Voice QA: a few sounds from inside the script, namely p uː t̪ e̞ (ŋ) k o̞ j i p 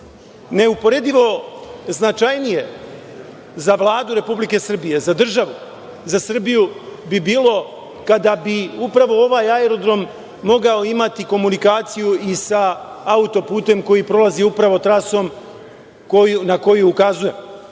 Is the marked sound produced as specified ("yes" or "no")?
no